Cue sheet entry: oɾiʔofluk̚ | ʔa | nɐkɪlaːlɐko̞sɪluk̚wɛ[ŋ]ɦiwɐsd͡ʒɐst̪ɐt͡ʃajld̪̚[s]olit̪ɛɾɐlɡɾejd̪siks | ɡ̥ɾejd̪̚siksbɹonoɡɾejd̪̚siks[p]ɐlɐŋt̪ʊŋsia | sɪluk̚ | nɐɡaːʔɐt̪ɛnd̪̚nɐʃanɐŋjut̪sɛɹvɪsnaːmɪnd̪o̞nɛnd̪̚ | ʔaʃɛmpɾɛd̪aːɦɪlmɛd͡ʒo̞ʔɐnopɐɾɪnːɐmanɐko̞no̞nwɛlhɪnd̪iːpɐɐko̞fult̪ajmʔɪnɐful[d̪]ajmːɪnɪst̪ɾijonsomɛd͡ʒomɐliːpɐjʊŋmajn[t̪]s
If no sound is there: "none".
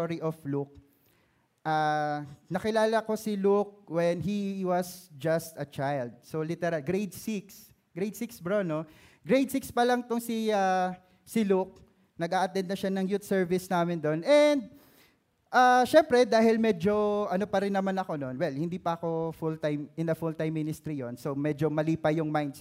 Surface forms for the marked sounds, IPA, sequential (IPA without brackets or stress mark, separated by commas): n, s, p, t̪, d̪